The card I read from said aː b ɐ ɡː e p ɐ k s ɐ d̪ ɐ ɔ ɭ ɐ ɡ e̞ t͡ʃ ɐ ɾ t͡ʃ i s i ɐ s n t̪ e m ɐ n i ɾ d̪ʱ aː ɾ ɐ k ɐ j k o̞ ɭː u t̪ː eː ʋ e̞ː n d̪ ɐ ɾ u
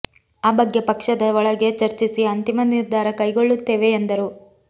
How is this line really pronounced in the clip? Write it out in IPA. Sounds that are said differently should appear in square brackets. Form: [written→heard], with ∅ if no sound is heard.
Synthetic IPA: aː b ɐ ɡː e p ɐ k [s→ʂ] ɐ d̪ ɐ ɔ ɭ ɐ ɡ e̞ t͡ʃ ɐ ɾ t͡ʃ i s i ɐ [s→∅] n t̪ [e→i] m ɐ n i ɾ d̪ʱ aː ɾ ɐ k ɐ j [k→ɡ] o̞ ɭː u t̪ː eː ʋ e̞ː n d̪ ɐ ɾ u